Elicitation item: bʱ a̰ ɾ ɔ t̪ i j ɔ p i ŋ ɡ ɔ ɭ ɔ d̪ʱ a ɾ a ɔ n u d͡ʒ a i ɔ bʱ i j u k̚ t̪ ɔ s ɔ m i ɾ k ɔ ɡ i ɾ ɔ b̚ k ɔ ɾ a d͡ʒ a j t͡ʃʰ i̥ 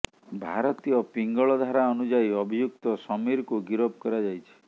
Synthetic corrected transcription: bʱ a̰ ɾ ɔ t̪ i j ɔ p i ŋ ɡ ɔ ɭ ɔ d̪ʱ a ɾ a ɔ n u d͡ʒ a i ɔ bʱ i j u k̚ t̪ ɔ s ɔ m i ɾ k u ɡ i ɾ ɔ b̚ k ɔ ɾ a d͡ʒ a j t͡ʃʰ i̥